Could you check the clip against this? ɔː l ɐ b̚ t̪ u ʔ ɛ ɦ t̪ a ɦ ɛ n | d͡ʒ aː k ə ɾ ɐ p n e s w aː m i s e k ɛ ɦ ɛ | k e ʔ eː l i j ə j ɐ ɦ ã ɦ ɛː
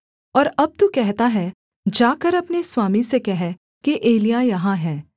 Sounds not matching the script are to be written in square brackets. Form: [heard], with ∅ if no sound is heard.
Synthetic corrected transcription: ɔː [ɾ] ɐ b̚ t̪ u [k] ɛ ɦ t̪ a ɦ ɛ [∅] | d͡ʒ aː k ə ɾ ɐ p n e s w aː m i s e k ɛ ɦ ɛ | k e ʔ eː l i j [a] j ɐ ɦ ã ɦ ɛː